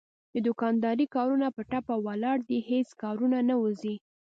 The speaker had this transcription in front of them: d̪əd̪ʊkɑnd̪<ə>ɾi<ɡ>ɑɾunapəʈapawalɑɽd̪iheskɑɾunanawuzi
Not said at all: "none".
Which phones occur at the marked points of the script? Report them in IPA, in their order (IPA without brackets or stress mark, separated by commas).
ɑ, k